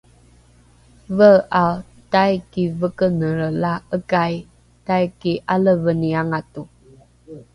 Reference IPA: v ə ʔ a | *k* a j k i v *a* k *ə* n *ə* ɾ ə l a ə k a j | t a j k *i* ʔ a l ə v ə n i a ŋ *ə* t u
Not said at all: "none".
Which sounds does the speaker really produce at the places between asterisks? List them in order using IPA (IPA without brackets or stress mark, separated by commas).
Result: t, ə, ə, ə, i, a